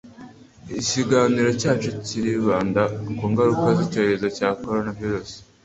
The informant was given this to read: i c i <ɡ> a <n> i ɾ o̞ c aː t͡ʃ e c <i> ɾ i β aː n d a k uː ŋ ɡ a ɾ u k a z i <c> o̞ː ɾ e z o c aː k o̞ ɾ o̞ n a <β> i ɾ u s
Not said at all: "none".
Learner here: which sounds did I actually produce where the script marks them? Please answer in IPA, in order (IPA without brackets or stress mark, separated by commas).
ɡ, n, i, c, v